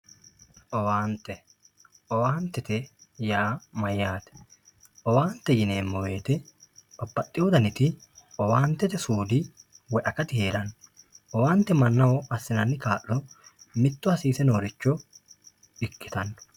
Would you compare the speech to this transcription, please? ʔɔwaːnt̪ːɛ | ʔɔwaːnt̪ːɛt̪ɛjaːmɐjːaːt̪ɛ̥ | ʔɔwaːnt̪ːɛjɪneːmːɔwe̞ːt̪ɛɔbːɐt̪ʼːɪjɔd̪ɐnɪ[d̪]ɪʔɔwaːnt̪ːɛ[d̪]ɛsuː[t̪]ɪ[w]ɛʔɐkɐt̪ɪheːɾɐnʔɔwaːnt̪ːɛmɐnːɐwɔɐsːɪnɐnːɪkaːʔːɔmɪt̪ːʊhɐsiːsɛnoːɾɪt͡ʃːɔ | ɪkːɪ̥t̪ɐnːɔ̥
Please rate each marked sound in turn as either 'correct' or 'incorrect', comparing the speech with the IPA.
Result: incorrect, incorrect, incorrect, correct

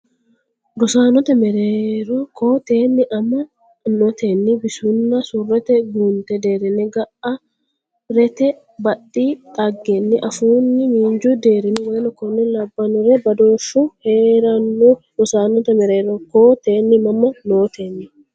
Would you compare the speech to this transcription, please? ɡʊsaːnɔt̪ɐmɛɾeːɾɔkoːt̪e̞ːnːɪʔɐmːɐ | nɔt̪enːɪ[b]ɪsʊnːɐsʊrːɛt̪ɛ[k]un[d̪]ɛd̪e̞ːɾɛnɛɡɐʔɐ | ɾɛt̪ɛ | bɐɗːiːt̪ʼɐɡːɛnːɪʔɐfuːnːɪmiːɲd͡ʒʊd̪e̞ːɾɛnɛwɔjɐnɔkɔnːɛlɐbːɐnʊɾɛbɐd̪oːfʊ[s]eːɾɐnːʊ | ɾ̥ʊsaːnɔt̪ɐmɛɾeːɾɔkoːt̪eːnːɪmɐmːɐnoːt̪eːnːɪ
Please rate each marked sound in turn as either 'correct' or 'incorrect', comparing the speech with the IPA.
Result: correct, incorrect, incorrect, incorrect

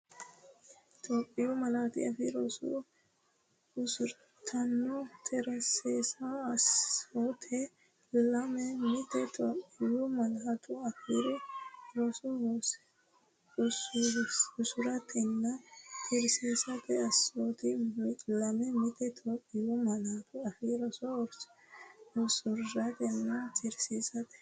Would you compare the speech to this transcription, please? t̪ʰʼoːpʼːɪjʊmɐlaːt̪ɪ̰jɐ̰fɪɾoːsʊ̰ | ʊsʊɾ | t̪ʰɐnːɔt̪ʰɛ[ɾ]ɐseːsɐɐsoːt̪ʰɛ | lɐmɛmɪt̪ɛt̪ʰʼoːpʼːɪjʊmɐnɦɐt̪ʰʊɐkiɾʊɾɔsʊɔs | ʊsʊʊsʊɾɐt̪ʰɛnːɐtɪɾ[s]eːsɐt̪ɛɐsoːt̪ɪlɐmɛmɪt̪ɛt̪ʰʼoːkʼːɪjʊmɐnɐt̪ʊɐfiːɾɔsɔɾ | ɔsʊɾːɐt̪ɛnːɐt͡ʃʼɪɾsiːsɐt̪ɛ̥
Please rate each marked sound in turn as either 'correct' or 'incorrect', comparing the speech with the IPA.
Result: correct, correct

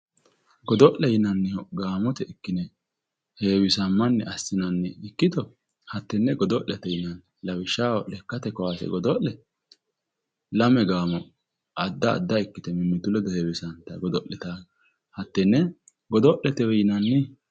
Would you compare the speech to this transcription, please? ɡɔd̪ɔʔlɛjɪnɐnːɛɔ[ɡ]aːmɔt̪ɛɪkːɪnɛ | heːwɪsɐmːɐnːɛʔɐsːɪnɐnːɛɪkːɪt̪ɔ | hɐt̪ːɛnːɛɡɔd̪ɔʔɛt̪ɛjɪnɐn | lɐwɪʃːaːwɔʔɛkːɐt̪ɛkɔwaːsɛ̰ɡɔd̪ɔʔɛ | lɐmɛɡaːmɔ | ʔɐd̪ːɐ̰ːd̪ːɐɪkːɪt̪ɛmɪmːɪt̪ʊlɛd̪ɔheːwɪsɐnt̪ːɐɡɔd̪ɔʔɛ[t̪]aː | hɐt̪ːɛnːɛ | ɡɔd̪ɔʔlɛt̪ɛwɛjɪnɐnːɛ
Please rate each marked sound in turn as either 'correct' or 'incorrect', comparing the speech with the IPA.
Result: correct, correct

